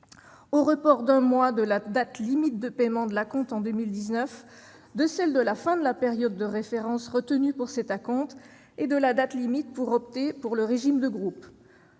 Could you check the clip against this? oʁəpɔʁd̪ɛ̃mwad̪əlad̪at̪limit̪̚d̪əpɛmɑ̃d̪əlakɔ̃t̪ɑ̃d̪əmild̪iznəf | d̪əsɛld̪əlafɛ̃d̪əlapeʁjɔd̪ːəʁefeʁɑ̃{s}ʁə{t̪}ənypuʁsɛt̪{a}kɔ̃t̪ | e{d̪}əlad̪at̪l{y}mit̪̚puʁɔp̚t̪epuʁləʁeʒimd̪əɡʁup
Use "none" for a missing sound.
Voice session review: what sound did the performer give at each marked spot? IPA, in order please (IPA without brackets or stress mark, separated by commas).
s, t̪, a, d̪, i